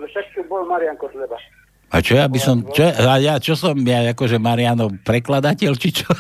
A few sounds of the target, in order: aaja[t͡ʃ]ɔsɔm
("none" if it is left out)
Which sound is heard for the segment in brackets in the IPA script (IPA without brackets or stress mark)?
t͡ʃ